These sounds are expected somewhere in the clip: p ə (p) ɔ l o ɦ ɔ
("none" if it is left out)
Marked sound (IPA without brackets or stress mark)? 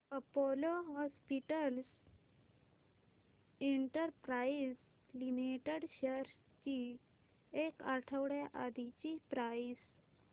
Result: p